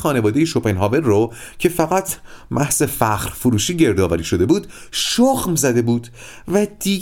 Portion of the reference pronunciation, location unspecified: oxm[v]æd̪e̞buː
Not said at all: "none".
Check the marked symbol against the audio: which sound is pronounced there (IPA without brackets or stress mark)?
z